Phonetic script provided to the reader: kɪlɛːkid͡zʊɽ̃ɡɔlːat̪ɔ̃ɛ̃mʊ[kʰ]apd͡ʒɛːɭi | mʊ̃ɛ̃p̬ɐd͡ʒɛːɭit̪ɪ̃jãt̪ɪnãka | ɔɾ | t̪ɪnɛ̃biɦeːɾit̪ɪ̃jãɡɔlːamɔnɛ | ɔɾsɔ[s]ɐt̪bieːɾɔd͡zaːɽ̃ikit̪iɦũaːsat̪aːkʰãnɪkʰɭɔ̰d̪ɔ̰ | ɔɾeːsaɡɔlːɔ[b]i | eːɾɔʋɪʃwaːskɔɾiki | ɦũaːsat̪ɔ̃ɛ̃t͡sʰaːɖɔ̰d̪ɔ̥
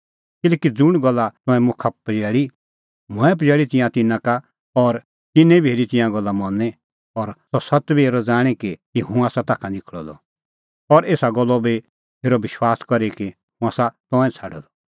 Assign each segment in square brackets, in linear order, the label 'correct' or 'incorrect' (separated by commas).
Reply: correct, correct, correct